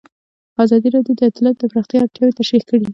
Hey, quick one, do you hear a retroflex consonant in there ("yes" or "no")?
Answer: yes